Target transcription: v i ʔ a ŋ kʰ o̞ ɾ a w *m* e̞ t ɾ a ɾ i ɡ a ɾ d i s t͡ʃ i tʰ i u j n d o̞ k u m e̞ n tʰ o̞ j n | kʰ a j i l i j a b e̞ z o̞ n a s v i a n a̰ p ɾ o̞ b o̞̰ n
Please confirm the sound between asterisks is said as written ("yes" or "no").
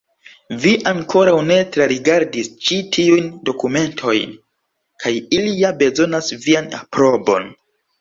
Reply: no